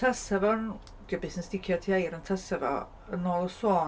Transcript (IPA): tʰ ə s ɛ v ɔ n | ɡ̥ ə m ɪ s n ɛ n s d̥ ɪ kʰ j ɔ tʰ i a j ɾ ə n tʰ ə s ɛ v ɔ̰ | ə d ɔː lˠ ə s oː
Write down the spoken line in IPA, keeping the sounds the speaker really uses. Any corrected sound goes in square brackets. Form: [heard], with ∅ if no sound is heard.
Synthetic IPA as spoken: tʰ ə s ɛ v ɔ n | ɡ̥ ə [b] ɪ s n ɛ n s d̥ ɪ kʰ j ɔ tʰ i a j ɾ ə n tʰ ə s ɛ v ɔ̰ | ə [n] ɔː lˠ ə s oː